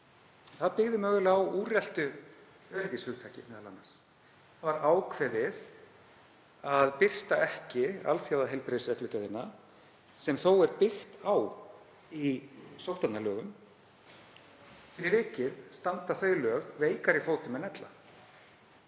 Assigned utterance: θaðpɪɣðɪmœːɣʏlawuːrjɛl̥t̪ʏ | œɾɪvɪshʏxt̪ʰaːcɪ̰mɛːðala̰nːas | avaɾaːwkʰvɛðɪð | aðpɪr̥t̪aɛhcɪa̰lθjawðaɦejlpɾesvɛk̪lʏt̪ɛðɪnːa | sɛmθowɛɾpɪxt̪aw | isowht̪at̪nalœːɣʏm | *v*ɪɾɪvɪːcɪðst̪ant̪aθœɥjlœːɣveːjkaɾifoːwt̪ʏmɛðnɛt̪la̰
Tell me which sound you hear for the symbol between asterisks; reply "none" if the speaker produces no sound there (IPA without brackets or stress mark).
f